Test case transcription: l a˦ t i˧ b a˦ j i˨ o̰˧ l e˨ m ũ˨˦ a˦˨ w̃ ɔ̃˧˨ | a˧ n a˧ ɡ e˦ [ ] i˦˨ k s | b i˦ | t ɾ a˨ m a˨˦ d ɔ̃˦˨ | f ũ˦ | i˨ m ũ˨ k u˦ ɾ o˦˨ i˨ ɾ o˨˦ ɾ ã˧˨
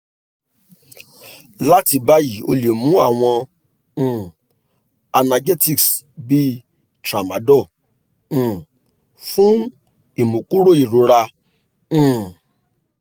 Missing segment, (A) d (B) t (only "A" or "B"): B